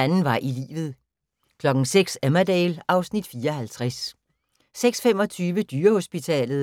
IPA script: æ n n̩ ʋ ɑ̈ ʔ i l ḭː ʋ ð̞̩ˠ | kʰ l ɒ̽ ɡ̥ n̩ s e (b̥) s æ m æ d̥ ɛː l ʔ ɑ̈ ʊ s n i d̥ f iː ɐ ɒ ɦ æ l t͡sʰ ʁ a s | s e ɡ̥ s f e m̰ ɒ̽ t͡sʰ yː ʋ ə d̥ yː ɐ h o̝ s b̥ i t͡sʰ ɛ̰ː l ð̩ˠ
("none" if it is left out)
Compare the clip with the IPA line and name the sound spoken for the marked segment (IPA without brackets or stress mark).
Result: ɡ̥